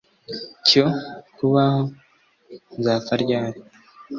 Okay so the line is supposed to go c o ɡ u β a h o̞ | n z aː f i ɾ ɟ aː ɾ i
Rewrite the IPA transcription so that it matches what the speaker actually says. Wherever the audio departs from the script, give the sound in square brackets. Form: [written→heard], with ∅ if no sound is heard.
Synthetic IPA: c o [ɡ→k] u β a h o̞ | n z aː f [i→a] ɾ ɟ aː ɾ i